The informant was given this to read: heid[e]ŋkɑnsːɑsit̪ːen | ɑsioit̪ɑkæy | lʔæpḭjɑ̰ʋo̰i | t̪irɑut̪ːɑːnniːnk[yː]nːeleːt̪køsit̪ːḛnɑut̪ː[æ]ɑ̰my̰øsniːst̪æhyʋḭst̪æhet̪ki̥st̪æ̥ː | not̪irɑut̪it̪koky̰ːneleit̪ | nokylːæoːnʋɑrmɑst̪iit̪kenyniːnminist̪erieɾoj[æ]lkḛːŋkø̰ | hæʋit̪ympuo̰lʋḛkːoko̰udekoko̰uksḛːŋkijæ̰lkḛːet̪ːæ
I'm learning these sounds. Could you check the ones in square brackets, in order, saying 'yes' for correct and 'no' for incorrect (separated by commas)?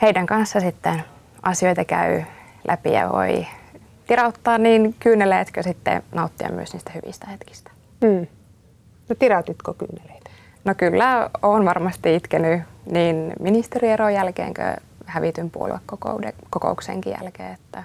no, yes, no, yes